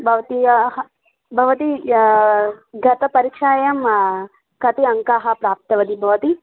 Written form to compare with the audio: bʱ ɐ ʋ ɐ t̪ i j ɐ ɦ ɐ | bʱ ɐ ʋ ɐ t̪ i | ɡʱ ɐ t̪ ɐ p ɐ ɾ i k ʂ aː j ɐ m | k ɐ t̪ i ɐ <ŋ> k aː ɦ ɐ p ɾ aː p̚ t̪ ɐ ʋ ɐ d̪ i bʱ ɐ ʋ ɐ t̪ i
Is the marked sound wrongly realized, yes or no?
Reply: no